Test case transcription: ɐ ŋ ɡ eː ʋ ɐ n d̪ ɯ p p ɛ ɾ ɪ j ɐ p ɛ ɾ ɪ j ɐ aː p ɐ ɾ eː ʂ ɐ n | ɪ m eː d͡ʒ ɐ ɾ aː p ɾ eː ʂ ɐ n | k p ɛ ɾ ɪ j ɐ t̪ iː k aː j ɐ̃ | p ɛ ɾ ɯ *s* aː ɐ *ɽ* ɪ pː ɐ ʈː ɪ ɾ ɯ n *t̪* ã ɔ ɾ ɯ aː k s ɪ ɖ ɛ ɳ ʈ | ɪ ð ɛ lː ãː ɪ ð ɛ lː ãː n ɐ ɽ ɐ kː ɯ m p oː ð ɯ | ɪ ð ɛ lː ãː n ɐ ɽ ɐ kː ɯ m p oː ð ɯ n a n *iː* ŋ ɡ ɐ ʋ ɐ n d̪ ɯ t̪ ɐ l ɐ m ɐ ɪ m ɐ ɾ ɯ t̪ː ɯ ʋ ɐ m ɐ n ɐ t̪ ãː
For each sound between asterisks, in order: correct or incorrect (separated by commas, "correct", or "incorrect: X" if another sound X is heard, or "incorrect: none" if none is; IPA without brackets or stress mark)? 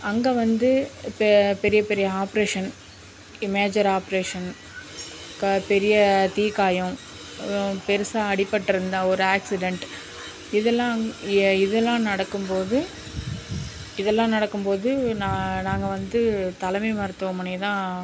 correct, correct, incorrect: d̪, incorrect: aː